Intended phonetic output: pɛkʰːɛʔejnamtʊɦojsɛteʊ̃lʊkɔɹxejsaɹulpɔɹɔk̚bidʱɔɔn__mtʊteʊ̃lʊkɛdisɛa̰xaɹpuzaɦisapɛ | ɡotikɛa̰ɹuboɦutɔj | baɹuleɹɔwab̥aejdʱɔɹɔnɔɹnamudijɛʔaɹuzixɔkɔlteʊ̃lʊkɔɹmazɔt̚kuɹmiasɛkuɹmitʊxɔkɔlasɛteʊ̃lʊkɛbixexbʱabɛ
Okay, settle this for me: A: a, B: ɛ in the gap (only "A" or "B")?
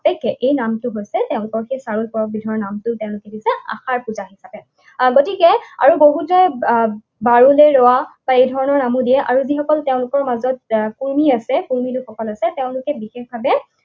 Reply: A